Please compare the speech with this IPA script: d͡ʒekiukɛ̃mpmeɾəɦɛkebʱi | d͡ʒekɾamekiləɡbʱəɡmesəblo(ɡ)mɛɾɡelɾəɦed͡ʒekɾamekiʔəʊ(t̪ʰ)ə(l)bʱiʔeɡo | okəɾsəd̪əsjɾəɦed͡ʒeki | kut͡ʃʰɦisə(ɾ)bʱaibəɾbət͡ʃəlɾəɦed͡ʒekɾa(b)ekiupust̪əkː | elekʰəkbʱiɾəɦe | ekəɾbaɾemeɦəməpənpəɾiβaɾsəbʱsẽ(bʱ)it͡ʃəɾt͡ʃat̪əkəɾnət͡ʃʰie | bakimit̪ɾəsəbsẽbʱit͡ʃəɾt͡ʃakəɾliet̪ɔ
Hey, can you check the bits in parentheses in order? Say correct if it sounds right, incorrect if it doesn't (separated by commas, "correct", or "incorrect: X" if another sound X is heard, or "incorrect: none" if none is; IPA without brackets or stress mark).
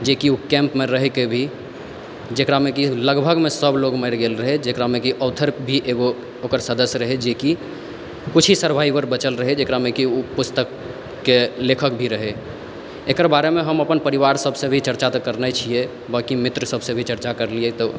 correct, correct, incorrect: ɾ, correct, incorrect: m, correct